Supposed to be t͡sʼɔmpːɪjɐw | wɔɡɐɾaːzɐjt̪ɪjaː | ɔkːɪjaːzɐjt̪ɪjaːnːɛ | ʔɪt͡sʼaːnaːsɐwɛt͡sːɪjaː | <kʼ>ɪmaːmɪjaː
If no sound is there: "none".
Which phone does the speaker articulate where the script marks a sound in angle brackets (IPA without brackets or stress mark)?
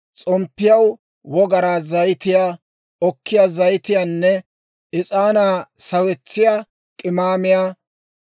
kʼ